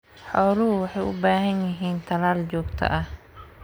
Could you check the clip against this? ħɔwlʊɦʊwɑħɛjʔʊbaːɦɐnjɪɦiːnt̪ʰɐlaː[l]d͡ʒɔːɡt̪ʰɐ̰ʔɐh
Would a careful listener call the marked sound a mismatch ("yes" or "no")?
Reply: no